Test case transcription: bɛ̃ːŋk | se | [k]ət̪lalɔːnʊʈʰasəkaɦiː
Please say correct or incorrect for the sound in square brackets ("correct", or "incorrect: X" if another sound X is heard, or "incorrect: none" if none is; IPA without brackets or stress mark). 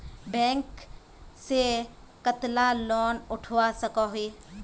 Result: correct